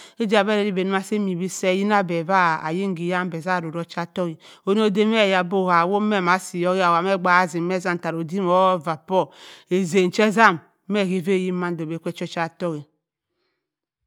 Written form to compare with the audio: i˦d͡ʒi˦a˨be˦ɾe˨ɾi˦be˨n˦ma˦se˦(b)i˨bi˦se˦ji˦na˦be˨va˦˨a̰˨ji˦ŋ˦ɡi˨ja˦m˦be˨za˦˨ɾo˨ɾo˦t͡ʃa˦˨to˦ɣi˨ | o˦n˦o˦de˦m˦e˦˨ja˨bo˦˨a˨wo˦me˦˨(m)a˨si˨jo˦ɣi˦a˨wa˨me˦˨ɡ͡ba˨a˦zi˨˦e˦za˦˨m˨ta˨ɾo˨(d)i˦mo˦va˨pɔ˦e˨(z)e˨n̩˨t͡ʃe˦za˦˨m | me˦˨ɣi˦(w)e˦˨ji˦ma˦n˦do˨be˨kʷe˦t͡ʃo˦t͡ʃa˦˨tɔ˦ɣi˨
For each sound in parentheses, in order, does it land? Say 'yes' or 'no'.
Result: no, yes, yes, yes, no

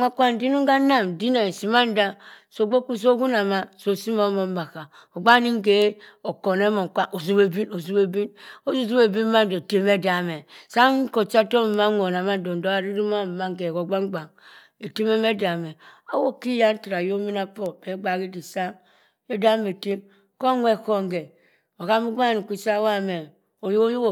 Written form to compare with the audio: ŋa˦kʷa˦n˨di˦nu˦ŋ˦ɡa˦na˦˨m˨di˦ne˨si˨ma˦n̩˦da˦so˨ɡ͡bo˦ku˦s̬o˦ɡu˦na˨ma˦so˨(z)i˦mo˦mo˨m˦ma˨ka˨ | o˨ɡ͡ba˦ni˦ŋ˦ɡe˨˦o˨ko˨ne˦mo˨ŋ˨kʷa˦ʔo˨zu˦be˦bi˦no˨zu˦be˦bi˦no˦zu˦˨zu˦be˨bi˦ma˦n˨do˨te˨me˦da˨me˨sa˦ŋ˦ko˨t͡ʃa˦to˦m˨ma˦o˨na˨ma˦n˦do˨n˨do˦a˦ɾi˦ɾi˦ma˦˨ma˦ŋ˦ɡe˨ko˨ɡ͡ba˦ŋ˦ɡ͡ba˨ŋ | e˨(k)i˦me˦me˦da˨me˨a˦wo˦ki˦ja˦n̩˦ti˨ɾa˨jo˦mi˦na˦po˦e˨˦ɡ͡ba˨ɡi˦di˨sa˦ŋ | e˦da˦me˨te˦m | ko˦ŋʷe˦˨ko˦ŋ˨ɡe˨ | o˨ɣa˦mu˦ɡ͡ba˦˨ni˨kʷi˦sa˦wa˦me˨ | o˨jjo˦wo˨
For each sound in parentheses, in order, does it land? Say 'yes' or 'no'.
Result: no, no

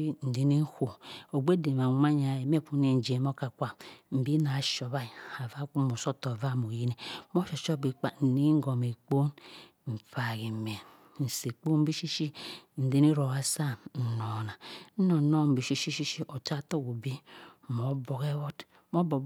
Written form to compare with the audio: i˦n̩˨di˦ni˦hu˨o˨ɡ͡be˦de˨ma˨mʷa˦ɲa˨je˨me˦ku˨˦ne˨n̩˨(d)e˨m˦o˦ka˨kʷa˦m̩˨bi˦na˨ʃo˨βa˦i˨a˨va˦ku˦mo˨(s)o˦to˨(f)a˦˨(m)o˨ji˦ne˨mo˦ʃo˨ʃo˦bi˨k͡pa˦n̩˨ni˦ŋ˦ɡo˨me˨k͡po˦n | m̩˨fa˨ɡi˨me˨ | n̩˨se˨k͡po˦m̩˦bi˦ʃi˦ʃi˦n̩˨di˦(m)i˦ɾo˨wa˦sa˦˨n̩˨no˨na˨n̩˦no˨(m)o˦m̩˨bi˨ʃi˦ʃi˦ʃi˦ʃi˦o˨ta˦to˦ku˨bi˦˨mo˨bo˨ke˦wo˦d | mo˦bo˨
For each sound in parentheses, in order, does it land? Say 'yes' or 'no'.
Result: no, yes, no, yes, no, no

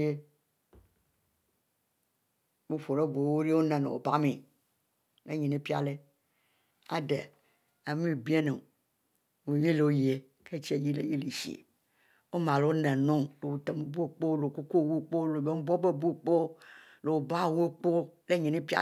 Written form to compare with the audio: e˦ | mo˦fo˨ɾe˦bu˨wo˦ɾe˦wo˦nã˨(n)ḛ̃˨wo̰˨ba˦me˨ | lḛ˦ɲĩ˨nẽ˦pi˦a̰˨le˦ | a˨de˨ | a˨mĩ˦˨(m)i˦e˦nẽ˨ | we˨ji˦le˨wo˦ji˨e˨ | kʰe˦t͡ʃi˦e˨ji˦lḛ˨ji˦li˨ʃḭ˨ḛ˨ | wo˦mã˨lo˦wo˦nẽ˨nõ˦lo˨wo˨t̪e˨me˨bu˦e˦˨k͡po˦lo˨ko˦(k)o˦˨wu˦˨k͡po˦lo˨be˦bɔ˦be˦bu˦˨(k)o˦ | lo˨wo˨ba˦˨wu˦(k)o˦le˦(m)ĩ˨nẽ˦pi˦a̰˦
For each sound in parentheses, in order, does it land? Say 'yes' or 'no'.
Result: yes, no, yes, no, no, no

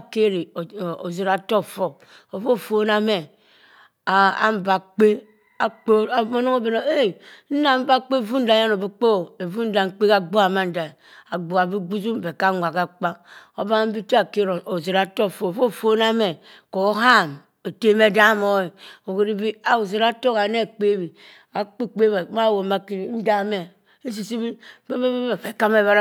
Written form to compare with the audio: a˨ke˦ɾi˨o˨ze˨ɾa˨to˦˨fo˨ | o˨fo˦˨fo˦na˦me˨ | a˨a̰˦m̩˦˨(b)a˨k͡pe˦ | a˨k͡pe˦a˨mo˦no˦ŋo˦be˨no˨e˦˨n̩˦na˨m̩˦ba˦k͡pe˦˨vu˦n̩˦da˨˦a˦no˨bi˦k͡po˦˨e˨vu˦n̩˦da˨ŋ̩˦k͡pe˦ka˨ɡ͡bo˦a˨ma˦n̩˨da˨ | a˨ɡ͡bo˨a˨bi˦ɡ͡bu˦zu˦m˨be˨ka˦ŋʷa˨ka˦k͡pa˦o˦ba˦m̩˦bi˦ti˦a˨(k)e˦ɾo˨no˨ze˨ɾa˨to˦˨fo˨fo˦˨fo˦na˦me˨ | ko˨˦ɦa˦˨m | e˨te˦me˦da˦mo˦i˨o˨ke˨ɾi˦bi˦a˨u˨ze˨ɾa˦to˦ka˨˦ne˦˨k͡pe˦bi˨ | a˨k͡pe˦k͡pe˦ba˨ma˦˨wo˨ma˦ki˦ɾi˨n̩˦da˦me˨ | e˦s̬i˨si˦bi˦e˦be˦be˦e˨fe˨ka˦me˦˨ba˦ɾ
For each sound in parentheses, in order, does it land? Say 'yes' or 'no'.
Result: yes, yes

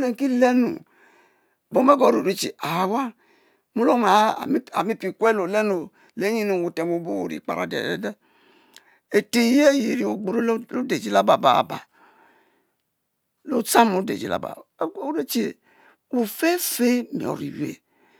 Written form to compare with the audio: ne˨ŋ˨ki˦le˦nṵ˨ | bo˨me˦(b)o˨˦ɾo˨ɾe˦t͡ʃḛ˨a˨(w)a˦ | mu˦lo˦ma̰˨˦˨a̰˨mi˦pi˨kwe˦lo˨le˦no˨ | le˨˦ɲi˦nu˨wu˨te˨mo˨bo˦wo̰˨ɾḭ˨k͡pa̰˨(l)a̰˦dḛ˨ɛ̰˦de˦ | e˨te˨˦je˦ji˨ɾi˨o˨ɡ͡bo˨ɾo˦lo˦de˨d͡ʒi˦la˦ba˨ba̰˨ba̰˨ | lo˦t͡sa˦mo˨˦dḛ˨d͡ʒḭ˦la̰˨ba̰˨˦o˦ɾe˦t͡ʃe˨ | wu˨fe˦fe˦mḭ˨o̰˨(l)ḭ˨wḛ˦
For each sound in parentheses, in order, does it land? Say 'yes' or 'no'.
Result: no, yes, no, no

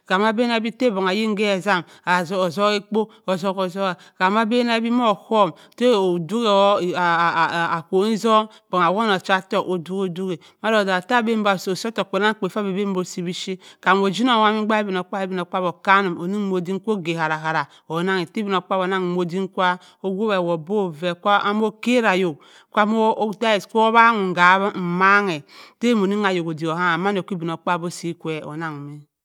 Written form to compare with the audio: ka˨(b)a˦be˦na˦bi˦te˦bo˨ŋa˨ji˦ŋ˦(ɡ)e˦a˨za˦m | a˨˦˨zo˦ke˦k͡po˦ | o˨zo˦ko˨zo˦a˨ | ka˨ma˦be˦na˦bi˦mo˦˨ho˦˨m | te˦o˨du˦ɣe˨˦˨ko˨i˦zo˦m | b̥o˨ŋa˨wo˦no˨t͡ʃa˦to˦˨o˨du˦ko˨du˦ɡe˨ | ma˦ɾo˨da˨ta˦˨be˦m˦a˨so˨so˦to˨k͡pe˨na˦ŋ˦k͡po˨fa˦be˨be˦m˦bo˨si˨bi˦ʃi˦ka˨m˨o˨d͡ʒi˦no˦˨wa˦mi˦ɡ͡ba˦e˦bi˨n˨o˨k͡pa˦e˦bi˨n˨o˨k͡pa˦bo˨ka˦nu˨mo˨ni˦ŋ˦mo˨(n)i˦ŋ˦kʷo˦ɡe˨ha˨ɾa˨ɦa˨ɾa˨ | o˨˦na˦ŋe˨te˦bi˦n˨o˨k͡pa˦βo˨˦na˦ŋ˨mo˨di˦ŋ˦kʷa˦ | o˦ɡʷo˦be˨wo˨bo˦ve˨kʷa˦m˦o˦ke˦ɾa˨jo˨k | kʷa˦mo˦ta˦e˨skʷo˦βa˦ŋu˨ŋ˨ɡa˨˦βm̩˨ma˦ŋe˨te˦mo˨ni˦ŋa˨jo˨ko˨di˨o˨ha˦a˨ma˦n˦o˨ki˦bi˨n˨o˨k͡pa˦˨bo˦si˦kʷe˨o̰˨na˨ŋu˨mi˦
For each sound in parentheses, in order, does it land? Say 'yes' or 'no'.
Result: no, yes, no

